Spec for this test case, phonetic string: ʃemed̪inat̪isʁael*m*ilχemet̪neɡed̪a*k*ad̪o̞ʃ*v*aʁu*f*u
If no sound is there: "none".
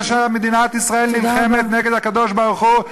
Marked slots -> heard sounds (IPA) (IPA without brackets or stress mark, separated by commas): n, k, b, χ